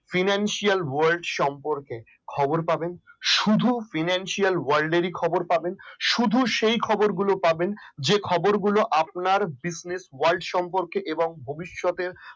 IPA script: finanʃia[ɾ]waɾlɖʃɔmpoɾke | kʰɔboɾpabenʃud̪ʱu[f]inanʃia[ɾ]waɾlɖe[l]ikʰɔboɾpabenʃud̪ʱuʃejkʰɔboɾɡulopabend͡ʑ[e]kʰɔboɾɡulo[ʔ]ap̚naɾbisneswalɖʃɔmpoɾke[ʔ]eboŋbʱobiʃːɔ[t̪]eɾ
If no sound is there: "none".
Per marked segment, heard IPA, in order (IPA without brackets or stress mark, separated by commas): l, f, l, ɾ, e, ʔ, ʔ, t̪